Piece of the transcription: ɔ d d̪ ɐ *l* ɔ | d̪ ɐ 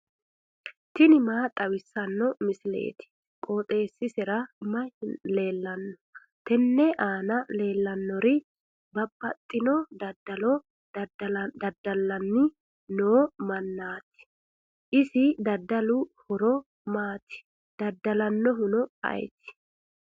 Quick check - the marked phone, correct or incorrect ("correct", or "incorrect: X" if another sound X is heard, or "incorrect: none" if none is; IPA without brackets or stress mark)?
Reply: correct